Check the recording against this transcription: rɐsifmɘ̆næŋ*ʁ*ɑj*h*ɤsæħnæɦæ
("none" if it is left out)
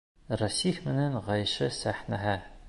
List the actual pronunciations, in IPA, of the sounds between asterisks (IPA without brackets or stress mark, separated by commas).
ʁ, ʃ